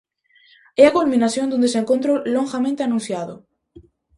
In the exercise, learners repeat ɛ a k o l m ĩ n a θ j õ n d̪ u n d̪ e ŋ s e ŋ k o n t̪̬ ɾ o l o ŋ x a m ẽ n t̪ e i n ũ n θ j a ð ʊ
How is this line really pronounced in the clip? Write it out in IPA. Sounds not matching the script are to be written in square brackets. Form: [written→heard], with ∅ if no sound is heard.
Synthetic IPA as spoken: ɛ a k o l m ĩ n a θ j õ n d̪ u n d̪ e [ŋ→∅] s e ŋ k o n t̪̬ ɾ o l o ŋ x a m ẽ n t̪ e [i→a] n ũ n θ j a ð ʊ